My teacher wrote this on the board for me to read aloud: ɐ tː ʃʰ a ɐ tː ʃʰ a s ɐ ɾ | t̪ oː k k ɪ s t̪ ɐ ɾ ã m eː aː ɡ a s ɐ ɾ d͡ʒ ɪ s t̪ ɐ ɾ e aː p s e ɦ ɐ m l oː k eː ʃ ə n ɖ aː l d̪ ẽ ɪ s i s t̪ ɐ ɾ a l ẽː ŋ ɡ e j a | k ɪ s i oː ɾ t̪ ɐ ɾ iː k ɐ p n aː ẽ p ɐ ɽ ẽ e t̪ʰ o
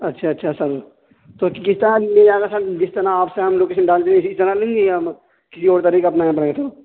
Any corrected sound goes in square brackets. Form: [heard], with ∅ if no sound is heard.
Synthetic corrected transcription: ɐ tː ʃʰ a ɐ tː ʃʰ a s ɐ ɾ | t̪ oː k k ɪ s t̪ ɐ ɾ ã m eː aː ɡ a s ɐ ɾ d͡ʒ ɪ s t̪ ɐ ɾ [a] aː p s e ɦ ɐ m l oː k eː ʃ ə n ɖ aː l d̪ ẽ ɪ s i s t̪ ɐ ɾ a l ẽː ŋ ɡ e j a | k ɪ s i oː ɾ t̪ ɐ ɾ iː k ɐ p n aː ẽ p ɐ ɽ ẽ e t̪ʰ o

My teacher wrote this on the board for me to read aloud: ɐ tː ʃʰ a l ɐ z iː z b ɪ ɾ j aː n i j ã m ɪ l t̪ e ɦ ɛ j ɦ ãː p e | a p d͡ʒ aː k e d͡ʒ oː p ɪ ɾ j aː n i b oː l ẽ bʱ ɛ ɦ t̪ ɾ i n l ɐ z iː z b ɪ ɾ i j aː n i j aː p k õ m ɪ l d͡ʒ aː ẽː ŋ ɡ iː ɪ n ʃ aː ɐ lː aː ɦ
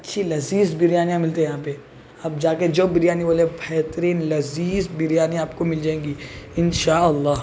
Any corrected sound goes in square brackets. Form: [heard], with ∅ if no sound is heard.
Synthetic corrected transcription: ɐ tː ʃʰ [i] l ɐ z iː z b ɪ ɾ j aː n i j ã m ɪ l t̪ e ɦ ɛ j ɦ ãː p e | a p d͡ʒ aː k e d͡ʒ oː [b] ɪ ɾ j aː n i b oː l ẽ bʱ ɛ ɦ t̪ ɾ [iː] n l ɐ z iː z b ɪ ɾ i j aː n i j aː p k [o] m ɪ l d͡ʒ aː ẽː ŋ ɡ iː ɪ n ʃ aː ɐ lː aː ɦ

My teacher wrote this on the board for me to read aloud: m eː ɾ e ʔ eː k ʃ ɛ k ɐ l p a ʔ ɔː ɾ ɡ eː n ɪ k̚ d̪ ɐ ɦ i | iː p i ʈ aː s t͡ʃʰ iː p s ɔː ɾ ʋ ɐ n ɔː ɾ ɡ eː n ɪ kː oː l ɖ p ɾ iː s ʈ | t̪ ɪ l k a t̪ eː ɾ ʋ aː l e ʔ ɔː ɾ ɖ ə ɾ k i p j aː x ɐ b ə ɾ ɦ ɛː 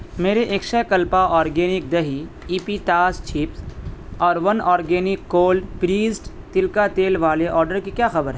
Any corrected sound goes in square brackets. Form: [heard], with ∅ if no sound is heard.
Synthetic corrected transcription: m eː ɾ e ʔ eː k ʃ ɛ k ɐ l p a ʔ ɔː ɾ ɡ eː n ɪ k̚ d̪ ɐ ɦ i | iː p i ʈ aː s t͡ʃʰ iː p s ɔː ɾ ʋ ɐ n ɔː ɾ ɡ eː n ɪ kː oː l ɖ p ɾ iː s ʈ | t̪ ɪ l k a t̪ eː [l] ʋ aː l e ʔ ɔː ɾ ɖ ə ɾ k i [k] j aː x ɐ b ə ɾ ɦ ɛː

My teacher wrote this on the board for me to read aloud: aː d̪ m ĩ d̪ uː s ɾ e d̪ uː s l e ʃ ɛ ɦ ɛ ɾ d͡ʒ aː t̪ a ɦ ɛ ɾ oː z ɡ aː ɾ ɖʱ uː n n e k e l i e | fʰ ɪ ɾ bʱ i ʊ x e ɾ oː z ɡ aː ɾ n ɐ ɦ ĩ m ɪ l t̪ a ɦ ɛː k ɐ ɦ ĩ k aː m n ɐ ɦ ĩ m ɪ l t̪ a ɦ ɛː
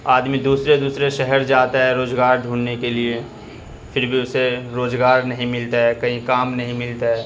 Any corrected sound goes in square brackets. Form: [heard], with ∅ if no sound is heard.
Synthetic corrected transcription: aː d̪ m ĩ d̪ uː s ɾ e d̪ uː s [ɾ] e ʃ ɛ ɦ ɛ ɾ d͡ʒ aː t̪ a ɦ ɛ ɾ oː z ɡ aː ɾ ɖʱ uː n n e k e l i e | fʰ ɪ ɾ bʱ i ʊ [s] e ɾ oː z ɡ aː ɾ n ɐ ɦ ĩ m ɪ l t̪ a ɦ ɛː k ɐ ɦ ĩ k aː m n ɐ ɦ ĩ m ɪ l t̪ a ɦ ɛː

